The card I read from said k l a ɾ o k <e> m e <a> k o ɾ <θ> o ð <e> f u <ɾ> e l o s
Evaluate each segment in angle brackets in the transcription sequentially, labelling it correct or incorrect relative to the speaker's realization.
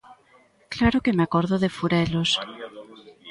correct, correct, incorrect: ð, correct, correct

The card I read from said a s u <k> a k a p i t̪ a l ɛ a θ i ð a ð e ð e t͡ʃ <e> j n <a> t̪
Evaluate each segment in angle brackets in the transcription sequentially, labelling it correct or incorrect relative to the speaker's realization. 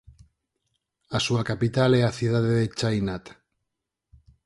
incorrect: none, incorrect: a, correct

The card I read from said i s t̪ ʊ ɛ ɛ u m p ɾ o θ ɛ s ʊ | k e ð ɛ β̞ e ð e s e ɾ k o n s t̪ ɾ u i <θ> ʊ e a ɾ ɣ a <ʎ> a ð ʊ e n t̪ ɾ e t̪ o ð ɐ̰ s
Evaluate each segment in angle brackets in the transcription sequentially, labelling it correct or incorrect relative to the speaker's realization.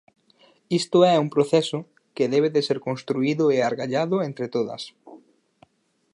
incorrect: ð, correct

